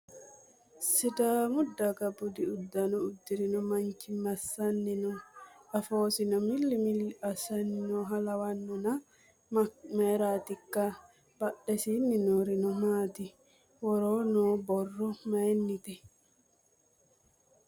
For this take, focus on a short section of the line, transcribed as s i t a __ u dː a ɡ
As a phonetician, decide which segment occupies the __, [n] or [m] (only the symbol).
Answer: m